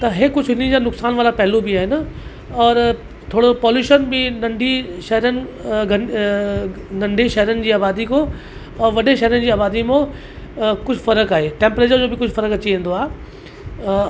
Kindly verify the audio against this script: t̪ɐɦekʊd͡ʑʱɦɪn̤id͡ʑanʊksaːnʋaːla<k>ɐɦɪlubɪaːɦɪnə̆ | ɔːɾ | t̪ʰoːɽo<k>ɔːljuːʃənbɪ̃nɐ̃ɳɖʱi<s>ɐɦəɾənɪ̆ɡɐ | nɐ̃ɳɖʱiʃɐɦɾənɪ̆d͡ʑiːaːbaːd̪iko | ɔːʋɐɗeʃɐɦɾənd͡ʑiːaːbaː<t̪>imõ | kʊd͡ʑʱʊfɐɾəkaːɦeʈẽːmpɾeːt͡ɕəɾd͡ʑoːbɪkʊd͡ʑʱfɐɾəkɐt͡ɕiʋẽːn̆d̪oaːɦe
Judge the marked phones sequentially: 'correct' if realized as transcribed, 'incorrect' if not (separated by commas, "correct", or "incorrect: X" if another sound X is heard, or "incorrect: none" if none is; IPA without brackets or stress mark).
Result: incorrect: p, incorrect: p, incorrect: ʃ, incorrect: d̪